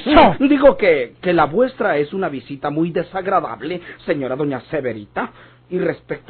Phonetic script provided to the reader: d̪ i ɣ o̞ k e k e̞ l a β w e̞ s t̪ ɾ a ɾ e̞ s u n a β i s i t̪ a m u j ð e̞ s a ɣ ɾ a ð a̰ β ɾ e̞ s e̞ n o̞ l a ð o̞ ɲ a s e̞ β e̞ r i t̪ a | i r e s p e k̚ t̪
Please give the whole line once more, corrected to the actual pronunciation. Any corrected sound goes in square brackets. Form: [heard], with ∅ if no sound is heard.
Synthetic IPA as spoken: d̪ i ɣ o̞ k e k e̞ l a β w e̞ s t̪ ɾ a [∅] e̞ s u n a β i s i t̪ a m u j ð e̞ s a ɣ ɾ a ð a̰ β [l] e̞ s e̞ [ɲ] o̞ [ɾ] a ð o̞ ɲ a s e̞ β e̞ [ɾ] i t̪ a | i r e s p e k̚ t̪